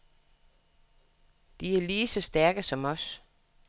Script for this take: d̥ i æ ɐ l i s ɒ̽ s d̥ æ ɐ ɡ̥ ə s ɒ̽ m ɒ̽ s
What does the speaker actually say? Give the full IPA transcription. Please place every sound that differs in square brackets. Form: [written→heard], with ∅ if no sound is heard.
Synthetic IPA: d̥ i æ ɐ l [i→iː] s ɒ̽ s d̥ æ ɐ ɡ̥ ə s ɒ̽ m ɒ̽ s